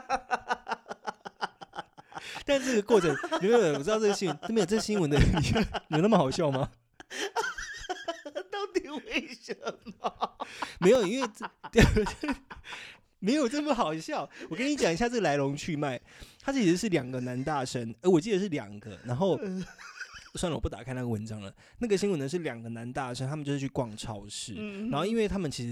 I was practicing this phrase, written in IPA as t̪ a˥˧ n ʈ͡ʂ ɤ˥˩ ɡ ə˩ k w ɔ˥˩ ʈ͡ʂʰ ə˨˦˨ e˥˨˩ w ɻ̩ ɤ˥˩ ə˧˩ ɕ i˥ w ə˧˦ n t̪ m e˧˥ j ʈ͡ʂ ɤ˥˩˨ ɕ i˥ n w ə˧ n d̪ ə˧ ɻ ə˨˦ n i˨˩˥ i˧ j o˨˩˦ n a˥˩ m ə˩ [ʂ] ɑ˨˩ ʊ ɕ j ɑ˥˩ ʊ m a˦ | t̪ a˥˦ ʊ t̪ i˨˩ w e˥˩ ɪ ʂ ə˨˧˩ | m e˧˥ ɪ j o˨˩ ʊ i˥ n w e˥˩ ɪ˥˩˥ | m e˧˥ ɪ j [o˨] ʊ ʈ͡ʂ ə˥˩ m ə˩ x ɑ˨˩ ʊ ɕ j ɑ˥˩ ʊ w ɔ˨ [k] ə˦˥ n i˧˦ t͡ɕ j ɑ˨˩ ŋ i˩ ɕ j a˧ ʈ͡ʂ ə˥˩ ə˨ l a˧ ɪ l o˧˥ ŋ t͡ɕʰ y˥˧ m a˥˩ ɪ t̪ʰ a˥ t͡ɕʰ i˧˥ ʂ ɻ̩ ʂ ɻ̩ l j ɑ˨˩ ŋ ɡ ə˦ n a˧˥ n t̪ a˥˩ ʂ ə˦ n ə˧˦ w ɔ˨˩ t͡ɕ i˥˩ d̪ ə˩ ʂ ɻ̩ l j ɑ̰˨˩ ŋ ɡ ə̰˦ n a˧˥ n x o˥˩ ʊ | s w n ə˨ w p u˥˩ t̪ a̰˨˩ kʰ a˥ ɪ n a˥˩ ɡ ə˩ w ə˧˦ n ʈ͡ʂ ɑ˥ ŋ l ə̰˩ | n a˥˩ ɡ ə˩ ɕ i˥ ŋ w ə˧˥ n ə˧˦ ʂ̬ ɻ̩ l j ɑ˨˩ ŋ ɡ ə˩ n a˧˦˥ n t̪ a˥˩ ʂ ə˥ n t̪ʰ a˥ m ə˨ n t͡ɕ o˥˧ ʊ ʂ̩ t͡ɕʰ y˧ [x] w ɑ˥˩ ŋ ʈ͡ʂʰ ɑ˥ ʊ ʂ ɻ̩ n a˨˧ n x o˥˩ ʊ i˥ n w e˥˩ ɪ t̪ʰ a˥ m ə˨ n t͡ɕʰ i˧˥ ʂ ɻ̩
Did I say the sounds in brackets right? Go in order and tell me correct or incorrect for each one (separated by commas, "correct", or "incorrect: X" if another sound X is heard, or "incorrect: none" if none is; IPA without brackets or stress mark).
incorrect: x, correct, correct, incorrect: k